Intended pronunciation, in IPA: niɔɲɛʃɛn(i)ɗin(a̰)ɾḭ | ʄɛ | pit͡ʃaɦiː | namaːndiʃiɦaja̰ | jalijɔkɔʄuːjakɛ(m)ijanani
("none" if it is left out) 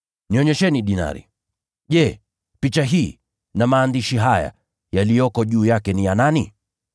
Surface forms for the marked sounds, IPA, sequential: i, a̰, n

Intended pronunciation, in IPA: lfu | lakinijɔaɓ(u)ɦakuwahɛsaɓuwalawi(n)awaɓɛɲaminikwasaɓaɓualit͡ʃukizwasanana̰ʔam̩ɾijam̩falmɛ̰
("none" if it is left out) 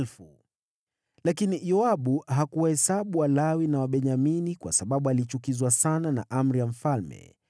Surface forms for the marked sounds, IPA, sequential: u, n

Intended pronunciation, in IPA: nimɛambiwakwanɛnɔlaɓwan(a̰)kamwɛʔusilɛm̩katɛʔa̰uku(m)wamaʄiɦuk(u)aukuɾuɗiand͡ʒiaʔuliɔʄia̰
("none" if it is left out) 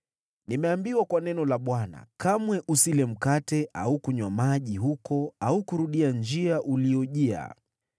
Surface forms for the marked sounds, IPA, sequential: a̰, ɲ, ɔ

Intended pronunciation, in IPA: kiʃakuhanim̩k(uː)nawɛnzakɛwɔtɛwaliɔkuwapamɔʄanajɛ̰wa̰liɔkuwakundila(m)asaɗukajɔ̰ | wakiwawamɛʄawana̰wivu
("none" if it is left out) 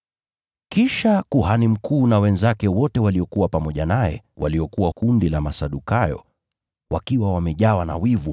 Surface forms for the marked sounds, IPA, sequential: uː, m

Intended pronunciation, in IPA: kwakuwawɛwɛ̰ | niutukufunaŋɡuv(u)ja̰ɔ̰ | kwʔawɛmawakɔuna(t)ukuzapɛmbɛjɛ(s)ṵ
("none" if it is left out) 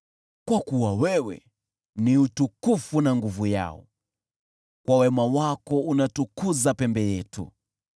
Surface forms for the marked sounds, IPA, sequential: u, t, t

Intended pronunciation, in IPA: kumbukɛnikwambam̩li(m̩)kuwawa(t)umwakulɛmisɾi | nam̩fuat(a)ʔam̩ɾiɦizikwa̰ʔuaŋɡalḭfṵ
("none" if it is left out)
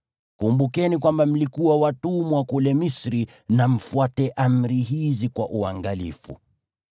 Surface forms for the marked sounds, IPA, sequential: none, t, ɛ

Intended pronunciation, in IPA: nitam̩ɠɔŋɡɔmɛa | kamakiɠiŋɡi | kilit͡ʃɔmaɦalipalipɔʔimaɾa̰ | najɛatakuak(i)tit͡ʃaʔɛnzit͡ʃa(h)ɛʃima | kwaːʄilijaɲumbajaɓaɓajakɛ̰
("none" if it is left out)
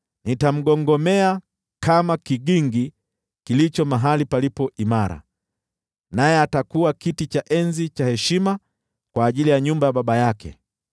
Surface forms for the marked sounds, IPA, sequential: i, h

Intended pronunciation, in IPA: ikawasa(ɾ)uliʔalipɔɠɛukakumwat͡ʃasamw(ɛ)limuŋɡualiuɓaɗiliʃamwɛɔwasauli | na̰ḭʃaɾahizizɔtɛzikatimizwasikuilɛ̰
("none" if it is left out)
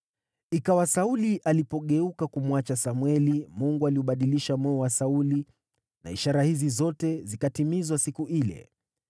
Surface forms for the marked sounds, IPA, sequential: none, ɛ

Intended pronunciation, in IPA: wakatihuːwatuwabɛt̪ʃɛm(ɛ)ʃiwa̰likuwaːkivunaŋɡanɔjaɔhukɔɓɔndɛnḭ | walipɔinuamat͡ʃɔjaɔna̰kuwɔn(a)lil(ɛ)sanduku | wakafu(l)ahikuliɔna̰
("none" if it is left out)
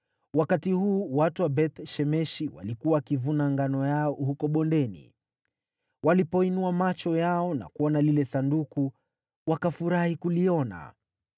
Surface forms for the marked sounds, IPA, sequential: ɛ, a, ɛ, ɾ

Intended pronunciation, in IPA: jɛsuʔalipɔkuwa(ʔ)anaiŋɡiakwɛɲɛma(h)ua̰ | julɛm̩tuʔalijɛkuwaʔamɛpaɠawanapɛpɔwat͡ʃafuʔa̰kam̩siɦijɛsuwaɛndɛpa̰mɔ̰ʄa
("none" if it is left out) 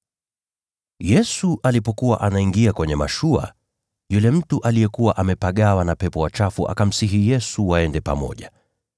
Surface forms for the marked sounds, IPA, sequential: ʔ, ʃ

